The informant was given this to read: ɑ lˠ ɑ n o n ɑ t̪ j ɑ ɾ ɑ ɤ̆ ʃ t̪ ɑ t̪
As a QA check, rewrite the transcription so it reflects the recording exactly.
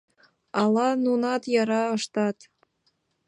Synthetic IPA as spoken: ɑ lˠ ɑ n u n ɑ t̪ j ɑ ɾ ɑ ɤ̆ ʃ t̪ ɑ t̪